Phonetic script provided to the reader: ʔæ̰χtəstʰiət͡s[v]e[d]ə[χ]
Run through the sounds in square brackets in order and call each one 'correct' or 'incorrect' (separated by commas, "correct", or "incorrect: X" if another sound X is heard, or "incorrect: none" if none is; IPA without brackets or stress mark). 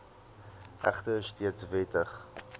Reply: correct, incorrect: t, correct